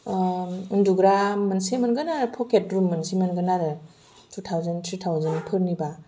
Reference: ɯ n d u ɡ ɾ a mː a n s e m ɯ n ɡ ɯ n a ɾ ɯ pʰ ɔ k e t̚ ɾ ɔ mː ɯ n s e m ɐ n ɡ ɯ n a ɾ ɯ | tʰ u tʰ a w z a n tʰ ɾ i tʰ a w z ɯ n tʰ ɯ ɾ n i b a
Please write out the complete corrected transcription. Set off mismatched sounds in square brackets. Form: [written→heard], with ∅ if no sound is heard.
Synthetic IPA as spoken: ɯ n d u ɡ ɾ a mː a n s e m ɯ n ɡ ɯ n a ɾ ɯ pʰ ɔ k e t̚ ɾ [ɔ→u] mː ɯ n s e m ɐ n ɡ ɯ n a ɾ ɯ | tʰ u tʰ a w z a n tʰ ɾ i tʰ a w z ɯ n [tʰ→pʰ] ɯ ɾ n i b a